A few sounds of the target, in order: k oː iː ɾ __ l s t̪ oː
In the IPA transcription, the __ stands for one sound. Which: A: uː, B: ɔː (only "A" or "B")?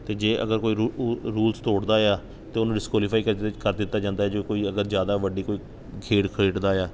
A